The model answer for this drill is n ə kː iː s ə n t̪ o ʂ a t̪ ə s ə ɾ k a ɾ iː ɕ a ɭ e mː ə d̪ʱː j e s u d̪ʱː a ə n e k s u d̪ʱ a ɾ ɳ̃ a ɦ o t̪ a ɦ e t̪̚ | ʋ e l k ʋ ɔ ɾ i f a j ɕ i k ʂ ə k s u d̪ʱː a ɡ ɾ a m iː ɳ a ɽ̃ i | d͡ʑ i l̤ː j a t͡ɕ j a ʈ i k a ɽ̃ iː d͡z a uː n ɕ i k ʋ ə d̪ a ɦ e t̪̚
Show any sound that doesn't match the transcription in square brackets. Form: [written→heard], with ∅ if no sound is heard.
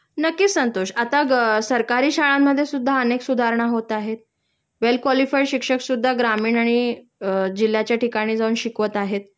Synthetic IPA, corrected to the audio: n ə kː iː s ə n t̪ o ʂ a t̪ [ə→a] s ə ɾ k a ɾ iː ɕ a ɭ [e→a] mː ə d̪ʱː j e s u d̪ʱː a ə n e k s u d̪ʱ a ɾ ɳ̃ a ɦ o t̪ a ɦ e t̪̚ | ʋ e l k ʋ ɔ [ɾ→l] i f a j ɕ i k ʂ ə k s u d̪ʱː a ɡ ɾ a m iː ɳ a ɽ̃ i | d͡ʑ i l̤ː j a t͡ɕ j a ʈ i k a ɽ̃ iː d͡z a uː n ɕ i k ʋ ə [d̪→t̪] a ɦ e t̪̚